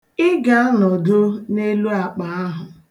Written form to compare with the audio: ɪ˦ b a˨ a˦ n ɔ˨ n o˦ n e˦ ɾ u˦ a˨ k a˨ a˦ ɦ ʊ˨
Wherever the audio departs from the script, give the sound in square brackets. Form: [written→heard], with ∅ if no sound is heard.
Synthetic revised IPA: ɪ˦ [b→ɡ] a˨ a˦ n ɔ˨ [n→d] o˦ n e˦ [ɾ→l] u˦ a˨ [k→k͡p] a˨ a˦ ɦ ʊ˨